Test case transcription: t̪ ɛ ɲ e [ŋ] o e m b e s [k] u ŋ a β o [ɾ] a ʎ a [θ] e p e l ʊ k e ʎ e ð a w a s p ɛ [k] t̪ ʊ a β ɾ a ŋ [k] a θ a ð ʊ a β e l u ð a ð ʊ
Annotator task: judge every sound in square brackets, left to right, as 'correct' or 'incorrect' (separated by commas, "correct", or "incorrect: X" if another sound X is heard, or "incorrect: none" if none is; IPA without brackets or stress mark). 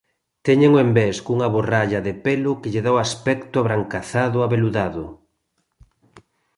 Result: correct, correct, incorrect: r, incorrect: ð, correct, correct